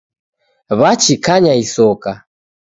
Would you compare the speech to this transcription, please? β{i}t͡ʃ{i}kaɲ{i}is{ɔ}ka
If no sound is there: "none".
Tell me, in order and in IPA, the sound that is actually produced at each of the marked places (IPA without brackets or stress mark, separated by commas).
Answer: a, i, a, ɔ